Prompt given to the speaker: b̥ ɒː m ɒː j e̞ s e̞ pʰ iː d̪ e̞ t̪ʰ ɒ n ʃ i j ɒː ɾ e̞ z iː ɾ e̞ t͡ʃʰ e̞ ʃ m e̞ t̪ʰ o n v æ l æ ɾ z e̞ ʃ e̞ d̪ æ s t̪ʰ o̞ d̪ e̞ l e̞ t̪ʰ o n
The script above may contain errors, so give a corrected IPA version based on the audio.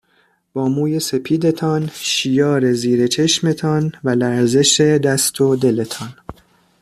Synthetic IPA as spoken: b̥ ɒː m uː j e̞ s e̞ pʰ iː d̪ e̞ t̪ʰ ɒ n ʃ i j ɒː ɾ e̞ z iː ɾ e̞ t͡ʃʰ e̞ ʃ m e̞ t̪ʰ ɒ n v æ l æ ɾ z e̞ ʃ e̞ d̪ æ s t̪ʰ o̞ d̪ e̞ l e̞ t̪ʰ ɒ n